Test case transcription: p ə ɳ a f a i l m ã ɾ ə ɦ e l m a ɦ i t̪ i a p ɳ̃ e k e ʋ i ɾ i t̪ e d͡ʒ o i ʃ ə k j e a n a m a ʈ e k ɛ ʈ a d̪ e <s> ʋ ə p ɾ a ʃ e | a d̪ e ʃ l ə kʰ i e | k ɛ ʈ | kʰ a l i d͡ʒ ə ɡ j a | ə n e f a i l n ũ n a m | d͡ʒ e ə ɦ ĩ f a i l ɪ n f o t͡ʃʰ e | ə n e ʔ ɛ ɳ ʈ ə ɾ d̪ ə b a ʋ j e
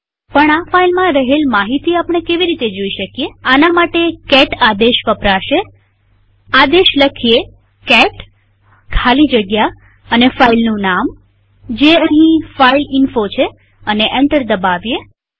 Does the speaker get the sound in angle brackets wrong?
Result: yes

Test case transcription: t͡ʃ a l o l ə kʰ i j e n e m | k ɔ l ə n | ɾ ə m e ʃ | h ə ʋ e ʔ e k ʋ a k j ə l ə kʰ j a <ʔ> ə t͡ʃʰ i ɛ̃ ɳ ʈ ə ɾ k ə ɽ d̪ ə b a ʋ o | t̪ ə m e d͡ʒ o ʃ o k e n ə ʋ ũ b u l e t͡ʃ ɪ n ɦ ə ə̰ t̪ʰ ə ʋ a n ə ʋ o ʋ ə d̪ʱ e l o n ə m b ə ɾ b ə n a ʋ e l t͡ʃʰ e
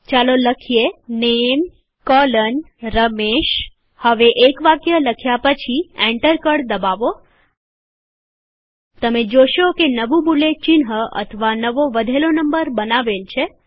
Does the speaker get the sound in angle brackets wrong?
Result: yes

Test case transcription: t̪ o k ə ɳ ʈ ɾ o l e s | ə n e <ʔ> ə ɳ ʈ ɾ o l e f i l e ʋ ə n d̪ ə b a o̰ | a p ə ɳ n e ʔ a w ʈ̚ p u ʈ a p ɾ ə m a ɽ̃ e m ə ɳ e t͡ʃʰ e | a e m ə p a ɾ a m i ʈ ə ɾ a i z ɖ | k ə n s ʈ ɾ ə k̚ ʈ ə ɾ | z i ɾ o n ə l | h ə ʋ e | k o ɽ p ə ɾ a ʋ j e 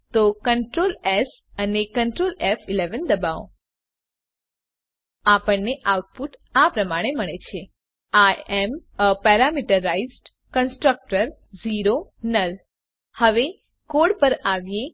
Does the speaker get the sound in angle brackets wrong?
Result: yes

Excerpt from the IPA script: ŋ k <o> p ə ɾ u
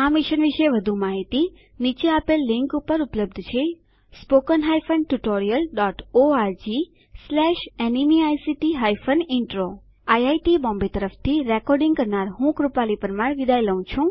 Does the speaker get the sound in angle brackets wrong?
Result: yes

